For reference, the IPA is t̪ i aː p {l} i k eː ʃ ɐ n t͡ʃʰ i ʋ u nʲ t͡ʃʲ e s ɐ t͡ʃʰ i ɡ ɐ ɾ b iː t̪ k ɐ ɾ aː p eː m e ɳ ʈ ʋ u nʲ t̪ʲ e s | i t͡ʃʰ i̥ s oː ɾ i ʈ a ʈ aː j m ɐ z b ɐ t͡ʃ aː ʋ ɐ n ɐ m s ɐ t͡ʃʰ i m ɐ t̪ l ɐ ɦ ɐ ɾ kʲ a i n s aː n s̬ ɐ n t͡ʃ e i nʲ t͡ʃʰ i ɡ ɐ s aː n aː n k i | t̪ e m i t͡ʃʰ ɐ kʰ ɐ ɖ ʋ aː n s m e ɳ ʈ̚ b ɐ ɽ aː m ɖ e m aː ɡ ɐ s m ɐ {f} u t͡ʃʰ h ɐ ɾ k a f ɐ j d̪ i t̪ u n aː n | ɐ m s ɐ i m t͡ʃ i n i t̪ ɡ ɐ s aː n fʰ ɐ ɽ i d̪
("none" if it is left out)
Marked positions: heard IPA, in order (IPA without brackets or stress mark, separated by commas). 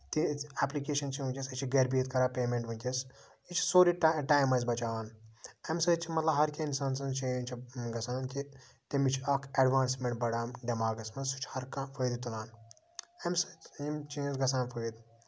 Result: l, s